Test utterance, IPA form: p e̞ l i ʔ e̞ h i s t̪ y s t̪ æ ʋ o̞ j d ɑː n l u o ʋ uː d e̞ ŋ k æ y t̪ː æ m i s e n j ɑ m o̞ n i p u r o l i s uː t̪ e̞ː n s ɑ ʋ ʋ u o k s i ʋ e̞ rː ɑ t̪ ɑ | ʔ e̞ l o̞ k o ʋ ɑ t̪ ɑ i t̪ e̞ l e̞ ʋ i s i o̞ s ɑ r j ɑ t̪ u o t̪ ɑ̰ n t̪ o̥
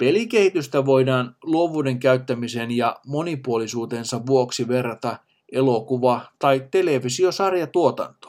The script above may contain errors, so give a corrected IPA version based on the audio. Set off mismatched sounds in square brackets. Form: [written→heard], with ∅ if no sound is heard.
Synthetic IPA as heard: p e̞ l i [ʔ→k] e̞ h i [s→∅] t̪ y s t̪ æ ʋ o̞ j d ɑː n l u o ʋ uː d e̞ ŋ k æ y t̪ː æ m i s e n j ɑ m o̞ n i p u [r→∅] o l i s uː t̪ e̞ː n s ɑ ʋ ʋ u o k s i ʋ e̞ rː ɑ t̪ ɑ | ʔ e̞ l o̞ k [o→u] ʋ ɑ t̪ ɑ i t̪ e̞ l e̞ ʋ i s i o̞ s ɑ r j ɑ t̪ u o t̪ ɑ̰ n t̪ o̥